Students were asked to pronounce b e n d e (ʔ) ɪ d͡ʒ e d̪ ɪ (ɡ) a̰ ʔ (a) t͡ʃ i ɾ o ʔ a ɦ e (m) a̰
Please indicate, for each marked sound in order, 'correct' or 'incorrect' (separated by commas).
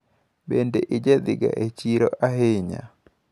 correct, correct, incorrect, incorrect